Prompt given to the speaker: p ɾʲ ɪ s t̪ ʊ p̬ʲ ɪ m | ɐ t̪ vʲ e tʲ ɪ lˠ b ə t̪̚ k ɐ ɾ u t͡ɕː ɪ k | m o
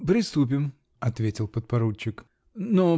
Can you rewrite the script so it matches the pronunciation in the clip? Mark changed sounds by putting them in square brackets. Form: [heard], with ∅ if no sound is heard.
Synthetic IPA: p ɾʲ ɪ s t̪ [u] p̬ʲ ɪ m | ɐ t̪ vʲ e tʲ ɪ lˠ [p] ə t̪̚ [p] ɐ ɾ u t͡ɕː ɪ k | [n] o